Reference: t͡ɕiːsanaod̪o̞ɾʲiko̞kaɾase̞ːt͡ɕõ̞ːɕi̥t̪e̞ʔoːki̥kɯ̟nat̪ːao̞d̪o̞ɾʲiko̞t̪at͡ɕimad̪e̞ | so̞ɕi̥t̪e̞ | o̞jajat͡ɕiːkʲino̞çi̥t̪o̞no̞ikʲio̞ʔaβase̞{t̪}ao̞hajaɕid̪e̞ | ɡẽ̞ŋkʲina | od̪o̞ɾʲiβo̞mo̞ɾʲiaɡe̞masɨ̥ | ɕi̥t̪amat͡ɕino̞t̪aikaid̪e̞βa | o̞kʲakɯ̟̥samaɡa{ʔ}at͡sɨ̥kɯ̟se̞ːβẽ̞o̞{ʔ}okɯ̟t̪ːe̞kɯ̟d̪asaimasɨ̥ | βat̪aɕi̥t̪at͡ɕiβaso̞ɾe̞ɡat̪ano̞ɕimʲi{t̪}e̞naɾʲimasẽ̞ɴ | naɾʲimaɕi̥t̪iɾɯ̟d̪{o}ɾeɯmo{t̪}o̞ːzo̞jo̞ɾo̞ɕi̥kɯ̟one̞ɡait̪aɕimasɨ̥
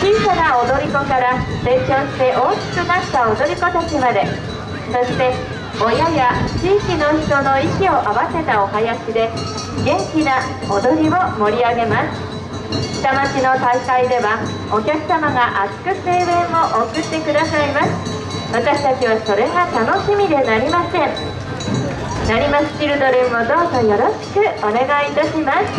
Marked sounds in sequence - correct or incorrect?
correct, correct, correct, incorrect: d̪, correct, incorrect: d̪

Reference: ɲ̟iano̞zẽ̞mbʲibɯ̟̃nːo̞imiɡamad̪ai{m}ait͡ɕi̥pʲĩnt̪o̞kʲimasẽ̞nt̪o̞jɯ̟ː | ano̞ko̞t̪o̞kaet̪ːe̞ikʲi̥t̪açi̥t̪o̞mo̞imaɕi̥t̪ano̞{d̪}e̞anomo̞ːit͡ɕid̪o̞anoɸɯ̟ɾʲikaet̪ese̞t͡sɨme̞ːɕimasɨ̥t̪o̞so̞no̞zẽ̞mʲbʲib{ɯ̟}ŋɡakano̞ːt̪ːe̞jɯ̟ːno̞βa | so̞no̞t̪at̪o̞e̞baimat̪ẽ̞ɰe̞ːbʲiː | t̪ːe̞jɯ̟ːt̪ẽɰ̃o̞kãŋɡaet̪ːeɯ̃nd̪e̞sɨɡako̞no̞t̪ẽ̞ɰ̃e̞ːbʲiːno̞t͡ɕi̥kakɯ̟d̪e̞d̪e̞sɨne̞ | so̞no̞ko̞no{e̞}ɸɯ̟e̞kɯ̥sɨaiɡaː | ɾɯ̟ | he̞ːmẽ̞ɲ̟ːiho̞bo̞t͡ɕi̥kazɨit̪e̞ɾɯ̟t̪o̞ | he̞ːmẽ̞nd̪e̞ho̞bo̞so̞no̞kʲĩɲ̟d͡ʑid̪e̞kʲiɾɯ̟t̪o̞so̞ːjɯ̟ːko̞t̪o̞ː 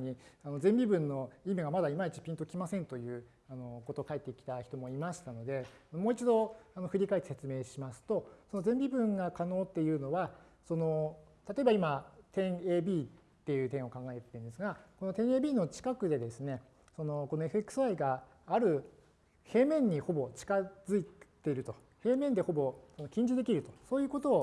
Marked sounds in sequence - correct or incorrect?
correct, correct, incorrect: ɯ̟̃, correct

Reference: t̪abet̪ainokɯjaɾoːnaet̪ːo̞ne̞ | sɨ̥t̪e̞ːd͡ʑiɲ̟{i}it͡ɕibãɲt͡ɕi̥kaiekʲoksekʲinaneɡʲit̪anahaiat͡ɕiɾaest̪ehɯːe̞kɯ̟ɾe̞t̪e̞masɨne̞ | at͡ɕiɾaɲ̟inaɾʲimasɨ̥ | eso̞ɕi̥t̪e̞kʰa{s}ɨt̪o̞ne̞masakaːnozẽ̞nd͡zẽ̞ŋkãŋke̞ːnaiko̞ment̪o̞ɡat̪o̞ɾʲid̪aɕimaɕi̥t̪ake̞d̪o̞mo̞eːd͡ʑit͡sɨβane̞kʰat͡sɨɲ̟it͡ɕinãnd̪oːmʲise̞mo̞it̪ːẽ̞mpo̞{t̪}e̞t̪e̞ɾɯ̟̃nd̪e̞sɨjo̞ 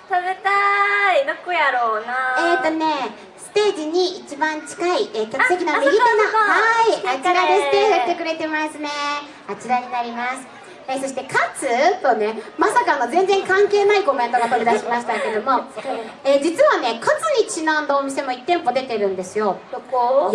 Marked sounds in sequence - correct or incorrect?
correct, incorrect: t͡s, incorrect: d̪

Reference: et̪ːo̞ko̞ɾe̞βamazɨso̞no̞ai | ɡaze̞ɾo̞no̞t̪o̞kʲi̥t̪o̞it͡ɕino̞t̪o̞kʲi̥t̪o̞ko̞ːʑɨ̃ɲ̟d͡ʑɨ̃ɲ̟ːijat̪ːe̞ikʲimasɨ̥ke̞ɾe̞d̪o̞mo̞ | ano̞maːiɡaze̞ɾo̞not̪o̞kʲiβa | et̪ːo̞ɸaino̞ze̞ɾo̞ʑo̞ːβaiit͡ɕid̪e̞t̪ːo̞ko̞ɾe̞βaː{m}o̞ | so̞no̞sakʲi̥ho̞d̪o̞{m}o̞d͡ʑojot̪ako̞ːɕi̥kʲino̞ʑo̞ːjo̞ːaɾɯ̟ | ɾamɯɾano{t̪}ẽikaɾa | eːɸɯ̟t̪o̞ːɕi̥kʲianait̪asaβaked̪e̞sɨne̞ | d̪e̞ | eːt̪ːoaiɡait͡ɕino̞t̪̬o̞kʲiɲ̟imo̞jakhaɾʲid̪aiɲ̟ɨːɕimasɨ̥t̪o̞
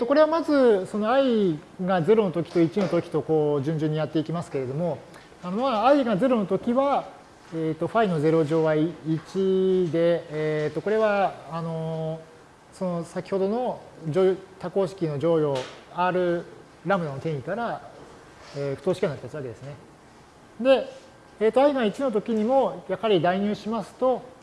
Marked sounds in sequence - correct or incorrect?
incorrect: n, incorrect: n, correct

